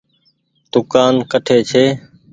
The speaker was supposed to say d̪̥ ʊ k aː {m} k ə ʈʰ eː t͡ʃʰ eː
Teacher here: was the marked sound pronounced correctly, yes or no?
no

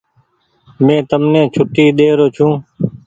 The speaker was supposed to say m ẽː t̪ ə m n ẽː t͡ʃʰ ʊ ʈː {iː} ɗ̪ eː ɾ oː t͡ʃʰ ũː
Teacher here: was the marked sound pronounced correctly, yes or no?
yes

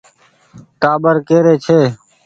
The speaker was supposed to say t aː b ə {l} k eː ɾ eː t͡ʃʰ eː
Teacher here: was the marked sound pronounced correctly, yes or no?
no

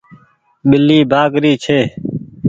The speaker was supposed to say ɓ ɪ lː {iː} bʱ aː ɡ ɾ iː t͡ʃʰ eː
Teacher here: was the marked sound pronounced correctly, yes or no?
yes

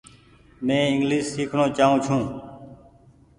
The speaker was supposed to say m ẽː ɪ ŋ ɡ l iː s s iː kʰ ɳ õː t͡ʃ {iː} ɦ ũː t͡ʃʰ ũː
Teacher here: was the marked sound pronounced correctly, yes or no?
no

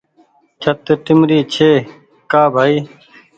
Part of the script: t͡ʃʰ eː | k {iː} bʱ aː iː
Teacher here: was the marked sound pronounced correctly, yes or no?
no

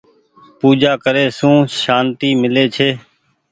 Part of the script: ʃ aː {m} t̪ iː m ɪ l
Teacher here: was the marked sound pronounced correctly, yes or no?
no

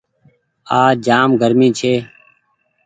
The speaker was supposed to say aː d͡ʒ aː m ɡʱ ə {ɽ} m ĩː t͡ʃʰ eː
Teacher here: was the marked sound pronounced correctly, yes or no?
no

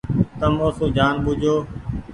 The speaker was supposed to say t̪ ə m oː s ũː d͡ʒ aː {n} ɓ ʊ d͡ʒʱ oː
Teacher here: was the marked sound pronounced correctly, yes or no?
yes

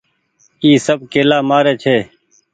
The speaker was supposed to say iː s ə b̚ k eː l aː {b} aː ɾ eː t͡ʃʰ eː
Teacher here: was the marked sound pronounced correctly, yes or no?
no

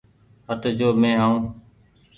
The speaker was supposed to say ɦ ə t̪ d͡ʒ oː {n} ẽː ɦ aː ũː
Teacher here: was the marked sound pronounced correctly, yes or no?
no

